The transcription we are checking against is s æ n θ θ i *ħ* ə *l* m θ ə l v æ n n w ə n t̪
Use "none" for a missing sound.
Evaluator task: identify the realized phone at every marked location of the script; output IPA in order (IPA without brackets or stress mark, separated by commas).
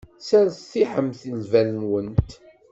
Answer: ħ, none